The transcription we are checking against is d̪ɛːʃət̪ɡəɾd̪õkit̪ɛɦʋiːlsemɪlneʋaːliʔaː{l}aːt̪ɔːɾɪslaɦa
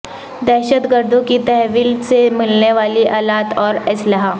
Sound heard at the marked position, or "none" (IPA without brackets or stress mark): l